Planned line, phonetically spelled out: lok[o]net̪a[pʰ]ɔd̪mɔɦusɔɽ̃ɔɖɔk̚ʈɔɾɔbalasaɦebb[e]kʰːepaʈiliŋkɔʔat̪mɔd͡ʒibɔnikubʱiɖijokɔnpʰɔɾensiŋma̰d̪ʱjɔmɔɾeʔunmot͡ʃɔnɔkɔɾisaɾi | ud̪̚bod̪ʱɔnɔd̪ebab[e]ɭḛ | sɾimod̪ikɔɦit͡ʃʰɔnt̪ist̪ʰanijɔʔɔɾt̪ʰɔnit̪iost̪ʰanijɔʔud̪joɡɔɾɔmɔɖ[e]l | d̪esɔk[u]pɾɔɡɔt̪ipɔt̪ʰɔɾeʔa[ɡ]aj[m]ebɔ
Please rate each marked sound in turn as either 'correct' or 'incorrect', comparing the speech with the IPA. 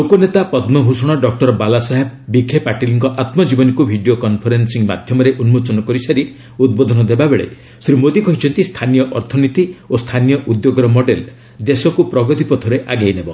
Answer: correct, incorrect, incorrect, correct, correct, correct, correct, incorrect

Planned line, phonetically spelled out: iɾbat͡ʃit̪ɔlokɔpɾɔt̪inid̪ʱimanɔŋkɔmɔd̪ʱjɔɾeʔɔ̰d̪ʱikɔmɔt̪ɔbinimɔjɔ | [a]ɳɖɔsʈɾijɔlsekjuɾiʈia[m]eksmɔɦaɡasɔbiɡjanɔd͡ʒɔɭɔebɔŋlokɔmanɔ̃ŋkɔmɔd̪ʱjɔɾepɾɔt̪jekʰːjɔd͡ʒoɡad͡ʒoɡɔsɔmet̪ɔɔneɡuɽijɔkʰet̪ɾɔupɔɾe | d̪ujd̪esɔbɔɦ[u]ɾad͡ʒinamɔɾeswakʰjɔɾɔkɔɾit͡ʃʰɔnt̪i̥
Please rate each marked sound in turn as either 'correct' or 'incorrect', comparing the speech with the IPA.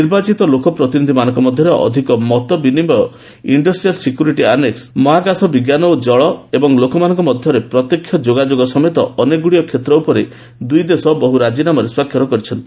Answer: incorrect, incorrect, correct

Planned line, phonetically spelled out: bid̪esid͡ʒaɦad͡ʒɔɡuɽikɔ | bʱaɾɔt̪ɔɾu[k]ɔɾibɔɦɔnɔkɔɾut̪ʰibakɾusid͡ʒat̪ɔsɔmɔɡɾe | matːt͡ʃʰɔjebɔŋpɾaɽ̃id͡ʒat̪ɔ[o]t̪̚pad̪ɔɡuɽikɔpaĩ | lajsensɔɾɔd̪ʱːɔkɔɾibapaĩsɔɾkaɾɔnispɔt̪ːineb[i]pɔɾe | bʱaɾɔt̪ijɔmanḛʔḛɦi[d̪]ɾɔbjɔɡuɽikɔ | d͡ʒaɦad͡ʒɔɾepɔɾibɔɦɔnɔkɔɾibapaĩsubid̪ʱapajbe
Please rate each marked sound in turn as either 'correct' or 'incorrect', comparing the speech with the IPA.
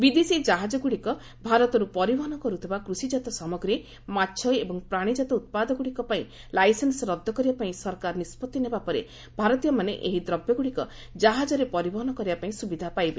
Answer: incorrect, incorrect, incorrect, correct

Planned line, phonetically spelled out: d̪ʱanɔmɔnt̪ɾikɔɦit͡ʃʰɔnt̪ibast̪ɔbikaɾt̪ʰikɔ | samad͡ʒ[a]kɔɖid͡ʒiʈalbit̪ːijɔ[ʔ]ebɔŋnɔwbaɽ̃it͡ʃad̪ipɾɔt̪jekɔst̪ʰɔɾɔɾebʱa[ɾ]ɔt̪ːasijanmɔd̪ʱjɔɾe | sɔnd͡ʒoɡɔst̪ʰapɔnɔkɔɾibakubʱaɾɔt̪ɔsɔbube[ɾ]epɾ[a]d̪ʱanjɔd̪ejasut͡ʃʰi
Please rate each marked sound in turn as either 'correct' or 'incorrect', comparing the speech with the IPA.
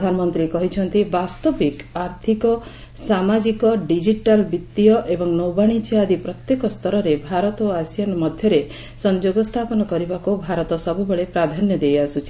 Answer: incorrect, correct, correct, incorrect, correct

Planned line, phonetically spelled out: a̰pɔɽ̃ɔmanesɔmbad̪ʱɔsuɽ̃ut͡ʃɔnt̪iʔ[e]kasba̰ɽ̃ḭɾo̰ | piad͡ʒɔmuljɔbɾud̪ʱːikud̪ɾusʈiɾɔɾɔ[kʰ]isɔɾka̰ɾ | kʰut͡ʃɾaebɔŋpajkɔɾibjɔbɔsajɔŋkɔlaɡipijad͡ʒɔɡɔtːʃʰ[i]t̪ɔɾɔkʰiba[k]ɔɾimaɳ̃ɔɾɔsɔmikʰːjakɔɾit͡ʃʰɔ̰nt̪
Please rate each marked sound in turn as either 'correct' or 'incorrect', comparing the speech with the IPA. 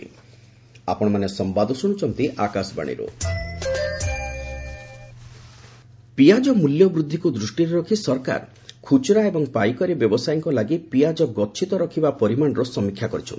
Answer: incorrect, correct, correct, incorrect

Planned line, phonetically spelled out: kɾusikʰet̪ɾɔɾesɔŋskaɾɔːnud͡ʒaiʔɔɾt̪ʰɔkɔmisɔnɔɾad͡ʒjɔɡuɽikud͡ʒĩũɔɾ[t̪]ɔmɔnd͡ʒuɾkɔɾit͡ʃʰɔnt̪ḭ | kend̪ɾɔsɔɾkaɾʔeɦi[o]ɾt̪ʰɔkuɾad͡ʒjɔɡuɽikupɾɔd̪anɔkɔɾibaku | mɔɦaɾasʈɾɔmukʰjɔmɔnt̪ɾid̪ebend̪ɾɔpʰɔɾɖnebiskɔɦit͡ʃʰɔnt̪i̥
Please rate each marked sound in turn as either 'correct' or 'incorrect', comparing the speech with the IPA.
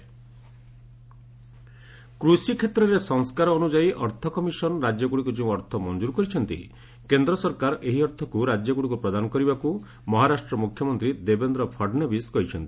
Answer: incorrect, incorrect

